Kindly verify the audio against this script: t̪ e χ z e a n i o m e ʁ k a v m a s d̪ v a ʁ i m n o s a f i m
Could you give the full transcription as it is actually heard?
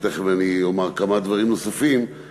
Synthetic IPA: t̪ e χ v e a n i o m a ʁ k a m a d̪ v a ʁ i m n o s a f i m